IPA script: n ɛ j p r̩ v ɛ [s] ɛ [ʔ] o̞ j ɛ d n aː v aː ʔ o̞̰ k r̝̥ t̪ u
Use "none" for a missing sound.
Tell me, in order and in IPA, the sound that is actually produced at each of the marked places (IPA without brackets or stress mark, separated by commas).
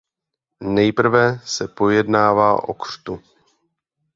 s, p